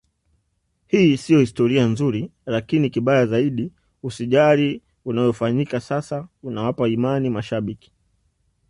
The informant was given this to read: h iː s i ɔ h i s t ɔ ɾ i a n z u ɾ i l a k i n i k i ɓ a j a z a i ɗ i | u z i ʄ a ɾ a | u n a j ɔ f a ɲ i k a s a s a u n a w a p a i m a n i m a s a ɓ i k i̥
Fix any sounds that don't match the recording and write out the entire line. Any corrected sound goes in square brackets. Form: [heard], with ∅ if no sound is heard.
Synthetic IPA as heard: h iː s i ɔ h i s t ɔ ɾ i a n z u ɾ i l a k i n i k i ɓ a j a z a i ɗ i | u [s] i ʄ a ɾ [i] | u n a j ɔ f a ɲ i k a s a s a u n a w a p a i m a n i m a [ʃ] a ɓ i k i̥